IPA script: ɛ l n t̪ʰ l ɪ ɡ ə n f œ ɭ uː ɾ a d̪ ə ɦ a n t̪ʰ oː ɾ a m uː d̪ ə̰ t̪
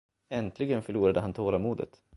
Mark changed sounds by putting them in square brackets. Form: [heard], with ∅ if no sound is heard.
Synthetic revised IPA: ɛ [∅] n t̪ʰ l ɪ ɡ ə n f œ ɭ uː ɾ a d̪ ə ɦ a n t̪ʰ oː ɾ a m uː d̪ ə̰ t̪